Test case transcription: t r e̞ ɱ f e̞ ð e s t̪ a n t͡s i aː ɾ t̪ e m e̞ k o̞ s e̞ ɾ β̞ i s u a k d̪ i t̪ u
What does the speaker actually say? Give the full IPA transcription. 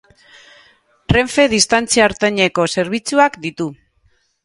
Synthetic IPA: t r e̞ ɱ f e̞ ð i s t̪ a n t͡s i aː ɾ t̪ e ɲ e̞ k o̞ s e̞ ɾ β̞ i t͡s u a k d̪ i t̪ u

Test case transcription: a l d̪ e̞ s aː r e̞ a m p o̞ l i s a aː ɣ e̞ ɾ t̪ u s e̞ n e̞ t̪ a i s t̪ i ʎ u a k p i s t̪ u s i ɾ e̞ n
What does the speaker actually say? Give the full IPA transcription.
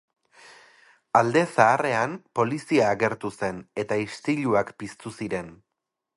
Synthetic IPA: a l d̪ e̞ s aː r e̞ a m p o̞ l i s i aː ɣ e̞ ɾ t̪ u s e̞ n e̞ t̪ a i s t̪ i ʎ u a k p i s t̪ u s i ɾ e̞ n

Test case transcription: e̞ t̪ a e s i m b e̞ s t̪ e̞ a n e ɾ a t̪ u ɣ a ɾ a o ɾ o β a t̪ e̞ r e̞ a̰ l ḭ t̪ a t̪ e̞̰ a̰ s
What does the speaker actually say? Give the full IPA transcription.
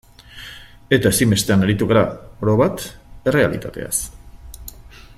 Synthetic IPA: e̞ t̪ a e s i m b e̞ s t̪ e̞ a n e ɾ i t̪ u ɣ a ɾ a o ɾ o β a t̪ e̞ r e̞ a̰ l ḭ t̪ a t̪ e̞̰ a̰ s

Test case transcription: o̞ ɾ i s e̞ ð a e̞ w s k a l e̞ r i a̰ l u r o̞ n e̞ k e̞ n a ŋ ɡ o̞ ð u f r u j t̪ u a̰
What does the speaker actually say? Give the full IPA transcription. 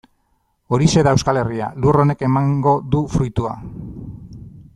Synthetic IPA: o̞ ɾ i s e̞ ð a e̞ w s k a l e̞ r i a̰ l u r o̞ n e̞ k e̞ m a ŋ ɡ o̞ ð u f ɾ u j t̪ u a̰

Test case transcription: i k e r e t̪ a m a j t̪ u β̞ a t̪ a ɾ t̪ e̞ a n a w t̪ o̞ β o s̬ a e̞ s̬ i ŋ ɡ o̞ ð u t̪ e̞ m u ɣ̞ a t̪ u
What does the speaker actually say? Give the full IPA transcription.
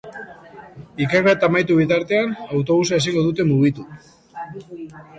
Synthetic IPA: i k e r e t̪ a m a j t̪ u β̞ i t̪ a ɾ t̪ e̞ a n a w t̪ o̞ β u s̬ a e̞ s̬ i ŋ ɡ o̞ ð u t̪ e̞ m u ɣ̞ i t̪ u

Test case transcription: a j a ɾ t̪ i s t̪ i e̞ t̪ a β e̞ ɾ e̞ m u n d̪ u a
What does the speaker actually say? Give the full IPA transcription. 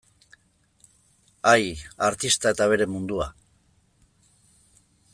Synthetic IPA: a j a ɾ t̪ i s t̪ a e̞ t̪ a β e̞ ɾ e̞ m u n d̪ u a

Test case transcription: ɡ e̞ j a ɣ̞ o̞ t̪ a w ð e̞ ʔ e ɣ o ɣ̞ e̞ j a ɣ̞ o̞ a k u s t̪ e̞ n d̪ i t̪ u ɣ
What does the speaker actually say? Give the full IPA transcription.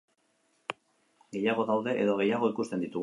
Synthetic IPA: ɡ e̞ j a ɣ̞ o̞ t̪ a w ð e̞ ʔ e ð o ɣ̞ e̞ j a ɣ̞ o̞ i k u s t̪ e̞ n d̪ i t̪ u ɣ

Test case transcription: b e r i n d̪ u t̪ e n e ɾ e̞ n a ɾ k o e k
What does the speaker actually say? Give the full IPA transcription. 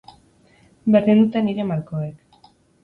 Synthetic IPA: b e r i n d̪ u t̪ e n i ɾ e̞ m a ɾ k o e k

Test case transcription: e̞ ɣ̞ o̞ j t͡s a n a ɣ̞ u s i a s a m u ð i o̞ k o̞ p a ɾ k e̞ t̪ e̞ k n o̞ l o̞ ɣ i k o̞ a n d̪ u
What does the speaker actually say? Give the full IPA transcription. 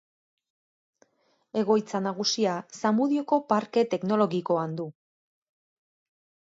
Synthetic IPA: e̞ ɣ̞ o̞ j t͡s a n a ɣ̞ u s i a s a m u ð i o̞ k o̞ p a ɾ k e̞ t̪ e̞ k n o̞ l o̞ ɣ i k o̞ a n d̪ u

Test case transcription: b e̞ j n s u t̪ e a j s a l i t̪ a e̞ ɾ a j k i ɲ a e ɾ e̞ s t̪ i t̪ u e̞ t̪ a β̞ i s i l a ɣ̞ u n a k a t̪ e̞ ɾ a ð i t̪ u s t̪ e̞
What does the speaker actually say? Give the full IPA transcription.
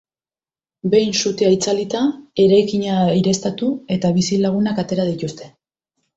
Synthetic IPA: b e̞ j n s u t̪ e a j t͡s a l i t̪ a e̞ ɾ a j k i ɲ a i ɾ e̞ s t̪ a t̪ u e̞ t̪ a β̞ i s i l a ɣ̞ u n a k a t̪ e̞ ɾ a ð i t̪ u s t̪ e̞

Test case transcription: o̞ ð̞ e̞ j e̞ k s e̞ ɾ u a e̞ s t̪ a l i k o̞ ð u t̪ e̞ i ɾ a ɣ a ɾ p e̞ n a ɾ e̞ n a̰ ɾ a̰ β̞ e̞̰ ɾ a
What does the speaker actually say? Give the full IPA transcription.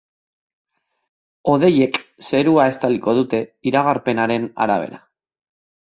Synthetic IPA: o̞ ð̞ e̞ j e̞ k s e̞ ɾ u a e̞ s t̪ a l i k o̞ ð u t̪ e̞ i ɾ a ɣ a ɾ p e̞ n a ɾ e̞ n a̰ ɾ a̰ β̞ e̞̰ ɾ a

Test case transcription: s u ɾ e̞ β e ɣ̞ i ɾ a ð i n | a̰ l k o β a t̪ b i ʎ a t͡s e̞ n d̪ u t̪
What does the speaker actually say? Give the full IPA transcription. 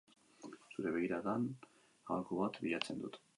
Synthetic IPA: s u ɾ e̞ β e ɣ̞ i ɾ a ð a n | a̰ l k o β a t̪ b i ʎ a t͡s e̞ n d̪ u t̪

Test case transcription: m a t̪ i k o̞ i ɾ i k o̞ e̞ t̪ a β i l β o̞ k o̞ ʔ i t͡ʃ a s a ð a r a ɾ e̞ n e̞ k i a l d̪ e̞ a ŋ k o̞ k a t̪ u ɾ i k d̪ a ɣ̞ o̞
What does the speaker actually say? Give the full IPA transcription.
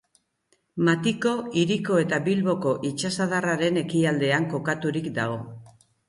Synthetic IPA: m a t̪ i k o̞ i ɾ i k o̞ e̞ t̪ a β i l β o̞ k o̞ ʔ i t͡ʃ a s a ð a r a ɾ e̞ n e̞ k i a l d̪ e̞ a ŋ k o̞ k a t̪ u ɾ i k d̪ a ɣ̞ o̞

